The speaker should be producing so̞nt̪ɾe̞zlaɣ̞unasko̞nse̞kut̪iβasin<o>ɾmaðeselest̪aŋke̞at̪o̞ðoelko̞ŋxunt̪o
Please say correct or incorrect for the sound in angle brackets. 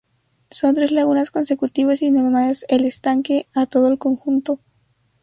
correct